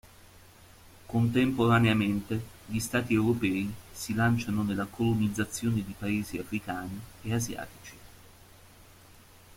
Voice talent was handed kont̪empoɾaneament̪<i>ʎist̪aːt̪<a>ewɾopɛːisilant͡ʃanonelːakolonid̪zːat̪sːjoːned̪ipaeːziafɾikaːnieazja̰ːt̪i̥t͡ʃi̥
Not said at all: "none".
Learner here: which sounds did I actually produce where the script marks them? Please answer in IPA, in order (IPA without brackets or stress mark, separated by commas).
e, i